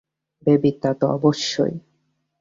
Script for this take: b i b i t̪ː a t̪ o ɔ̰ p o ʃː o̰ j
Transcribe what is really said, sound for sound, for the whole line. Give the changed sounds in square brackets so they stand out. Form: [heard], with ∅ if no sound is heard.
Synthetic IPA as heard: b [e] b i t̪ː a t̪ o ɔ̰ [b] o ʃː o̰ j